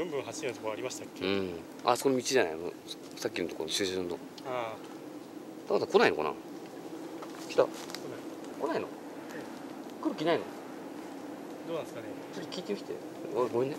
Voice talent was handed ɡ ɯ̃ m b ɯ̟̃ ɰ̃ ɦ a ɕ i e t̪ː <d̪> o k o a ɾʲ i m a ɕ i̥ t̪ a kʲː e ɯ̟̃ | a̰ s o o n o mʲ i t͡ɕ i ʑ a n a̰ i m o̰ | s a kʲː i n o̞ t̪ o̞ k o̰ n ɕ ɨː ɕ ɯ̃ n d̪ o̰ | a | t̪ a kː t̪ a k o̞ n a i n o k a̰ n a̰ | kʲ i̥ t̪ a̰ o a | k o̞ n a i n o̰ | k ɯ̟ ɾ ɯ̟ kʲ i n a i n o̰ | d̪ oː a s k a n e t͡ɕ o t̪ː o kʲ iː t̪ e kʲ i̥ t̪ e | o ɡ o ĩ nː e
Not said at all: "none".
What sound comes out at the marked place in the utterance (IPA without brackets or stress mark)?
t̪